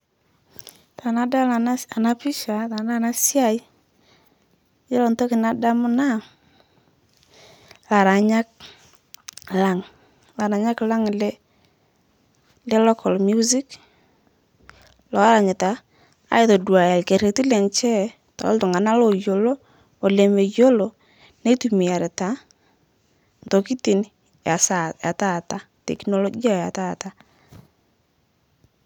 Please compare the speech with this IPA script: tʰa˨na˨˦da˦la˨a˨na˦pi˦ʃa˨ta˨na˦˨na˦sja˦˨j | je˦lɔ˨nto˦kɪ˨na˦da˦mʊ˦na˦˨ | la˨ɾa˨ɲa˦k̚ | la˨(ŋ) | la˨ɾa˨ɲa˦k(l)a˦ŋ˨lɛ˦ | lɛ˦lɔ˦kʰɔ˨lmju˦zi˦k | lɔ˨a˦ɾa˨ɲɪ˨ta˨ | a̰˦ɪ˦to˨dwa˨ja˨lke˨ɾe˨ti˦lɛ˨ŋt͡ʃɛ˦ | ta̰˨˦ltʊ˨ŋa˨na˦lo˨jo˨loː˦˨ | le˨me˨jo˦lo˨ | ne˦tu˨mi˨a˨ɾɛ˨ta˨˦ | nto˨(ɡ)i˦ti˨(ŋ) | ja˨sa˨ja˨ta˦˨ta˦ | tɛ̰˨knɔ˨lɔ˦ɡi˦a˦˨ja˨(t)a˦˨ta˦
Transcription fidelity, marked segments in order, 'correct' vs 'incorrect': correct, correct, incorrect, incorrect, correct

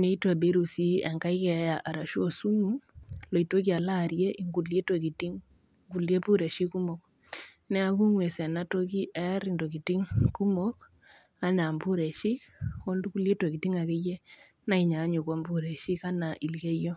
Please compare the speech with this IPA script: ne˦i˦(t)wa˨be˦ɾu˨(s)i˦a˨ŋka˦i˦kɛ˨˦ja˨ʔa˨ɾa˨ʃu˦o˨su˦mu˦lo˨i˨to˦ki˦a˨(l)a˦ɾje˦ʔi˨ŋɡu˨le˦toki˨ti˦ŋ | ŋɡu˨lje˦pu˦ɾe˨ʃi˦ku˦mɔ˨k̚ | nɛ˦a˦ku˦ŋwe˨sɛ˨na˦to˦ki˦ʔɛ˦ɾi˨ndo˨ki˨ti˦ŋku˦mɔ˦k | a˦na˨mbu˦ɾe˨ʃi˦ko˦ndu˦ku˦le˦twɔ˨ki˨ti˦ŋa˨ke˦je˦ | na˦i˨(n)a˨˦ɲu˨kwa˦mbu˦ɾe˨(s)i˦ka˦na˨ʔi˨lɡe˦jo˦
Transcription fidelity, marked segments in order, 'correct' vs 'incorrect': correct, correct, correct, incorrect, incorrect

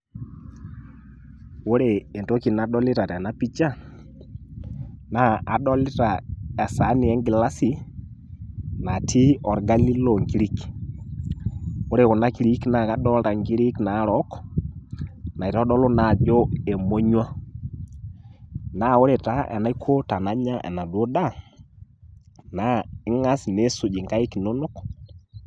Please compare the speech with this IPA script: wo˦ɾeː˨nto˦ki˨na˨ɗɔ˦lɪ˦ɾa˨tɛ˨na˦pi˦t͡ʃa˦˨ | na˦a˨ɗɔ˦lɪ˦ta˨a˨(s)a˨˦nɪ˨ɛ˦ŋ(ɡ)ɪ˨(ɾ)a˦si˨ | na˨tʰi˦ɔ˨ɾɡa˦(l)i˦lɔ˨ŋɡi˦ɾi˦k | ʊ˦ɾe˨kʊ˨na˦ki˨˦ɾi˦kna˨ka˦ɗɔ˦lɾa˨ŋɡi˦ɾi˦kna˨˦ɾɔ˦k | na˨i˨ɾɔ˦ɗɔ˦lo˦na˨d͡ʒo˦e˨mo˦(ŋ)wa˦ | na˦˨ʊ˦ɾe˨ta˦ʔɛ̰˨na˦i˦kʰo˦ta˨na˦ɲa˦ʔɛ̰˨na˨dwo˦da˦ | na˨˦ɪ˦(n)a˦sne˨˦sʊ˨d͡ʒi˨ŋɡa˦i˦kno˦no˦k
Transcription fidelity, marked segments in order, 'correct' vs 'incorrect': correct, correct, incorrect, correct, incorrect, incorrect

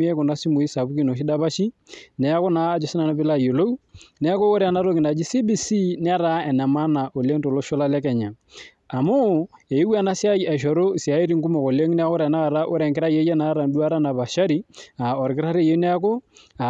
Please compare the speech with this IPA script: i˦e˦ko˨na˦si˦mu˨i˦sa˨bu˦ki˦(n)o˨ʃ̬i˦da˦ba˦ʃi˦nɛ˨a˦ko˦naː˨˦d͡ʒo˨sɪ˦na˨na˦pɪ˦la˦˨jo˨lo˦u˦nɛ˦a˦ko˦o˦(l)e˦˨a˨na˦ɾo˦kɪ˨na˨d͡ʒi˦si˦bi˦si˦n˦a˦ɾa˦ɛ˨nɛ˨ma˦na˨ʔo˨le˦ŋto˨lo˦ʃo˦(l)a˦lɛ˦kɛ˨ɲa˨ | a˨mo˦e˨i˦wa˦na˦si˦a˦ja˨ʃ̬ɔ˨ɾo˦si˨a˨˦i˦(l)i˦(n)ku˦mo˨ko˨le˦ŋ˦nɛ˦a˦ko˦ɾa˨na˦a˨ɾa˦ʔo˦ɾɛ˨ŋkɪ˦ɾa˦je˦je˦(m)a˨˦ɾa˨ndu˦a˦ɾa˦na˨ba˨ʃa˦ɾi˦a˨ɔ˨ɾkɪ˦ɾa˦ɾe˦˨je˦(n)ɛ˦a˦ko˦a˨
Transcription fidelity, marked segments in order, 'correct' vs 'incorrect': correct, incorrect, correct, incorrect, incorrect, incorrect, correct

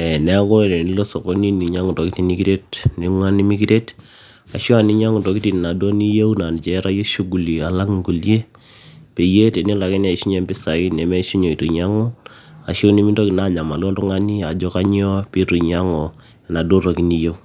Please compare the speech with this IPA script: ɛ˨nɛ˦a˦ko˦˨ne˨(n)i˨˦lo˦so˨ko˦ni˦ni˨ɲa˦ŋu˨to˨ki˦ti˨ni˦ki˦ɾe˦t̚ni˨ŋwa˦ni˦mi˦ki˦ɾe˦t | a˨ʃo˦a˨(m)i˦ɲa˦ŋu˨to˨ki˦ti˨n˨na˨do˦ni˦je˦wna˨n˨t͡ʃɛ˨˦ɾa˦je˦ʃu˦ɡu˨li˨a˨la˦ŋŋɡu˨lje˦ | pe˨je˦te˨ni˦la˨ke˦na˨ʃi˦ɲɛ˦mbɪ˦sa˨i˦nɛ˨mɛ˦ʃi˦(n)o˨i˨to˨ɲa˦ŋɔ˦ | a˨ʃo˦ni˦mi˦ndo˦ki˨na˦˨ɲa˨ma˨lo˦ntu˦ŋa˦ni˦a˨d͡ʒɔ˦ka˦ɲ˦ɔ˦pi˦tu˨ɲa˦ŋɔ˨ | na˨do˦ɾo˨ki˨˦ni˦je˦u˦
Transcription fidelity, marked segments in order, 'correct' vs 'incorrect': correct, incorrect, incorrect

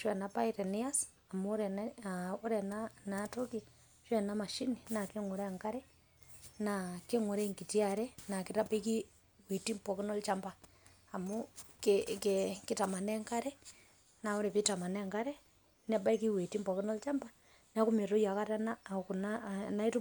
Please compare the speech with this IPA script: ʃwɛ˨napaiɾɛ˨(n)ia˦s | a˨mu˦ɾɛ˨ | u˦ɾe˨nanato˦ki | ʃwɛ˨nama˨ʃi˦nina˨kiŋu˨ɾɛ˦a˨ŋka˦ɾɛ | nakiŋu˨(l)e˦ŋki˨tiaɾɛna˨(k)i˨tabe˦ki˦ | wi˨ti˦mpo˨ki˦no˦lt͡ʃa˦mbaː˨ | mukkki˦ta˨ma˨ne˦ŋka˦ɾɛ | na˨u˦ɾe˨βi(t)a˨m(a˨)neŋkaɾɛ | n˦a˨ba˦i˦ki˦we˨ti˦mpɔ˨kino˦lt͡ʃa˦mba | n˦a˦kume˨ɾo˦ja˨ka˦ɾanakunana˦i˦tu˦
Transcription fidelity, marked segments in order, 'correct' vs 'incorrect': correct, incorrect, correct, correct, correct

